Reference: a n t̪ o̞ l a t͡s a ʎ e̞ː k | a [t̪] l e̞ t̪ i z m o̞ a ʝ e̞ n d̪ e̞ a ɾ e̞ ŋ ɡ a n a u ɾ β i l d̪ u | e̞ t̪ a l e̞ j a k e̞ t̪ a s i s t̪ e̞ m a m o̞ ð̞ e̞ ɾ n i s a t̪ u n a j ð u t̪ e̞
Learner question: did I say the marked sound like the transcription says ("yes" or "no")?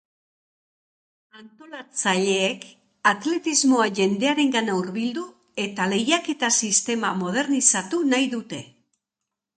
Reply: yes